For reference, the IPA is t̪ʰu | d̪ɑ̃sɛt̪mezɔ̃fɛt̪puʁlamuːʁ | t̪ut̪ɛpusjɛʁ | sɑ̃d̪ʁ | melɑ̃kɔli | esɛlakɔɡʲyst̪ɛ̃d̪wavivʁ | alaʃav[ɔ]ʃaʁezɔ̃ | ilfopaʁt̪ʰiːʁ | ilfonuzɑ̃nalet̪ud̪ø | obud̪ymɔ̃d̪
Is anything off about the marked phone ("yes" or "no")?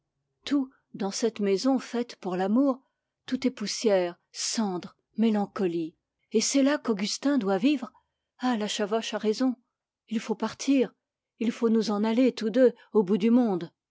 no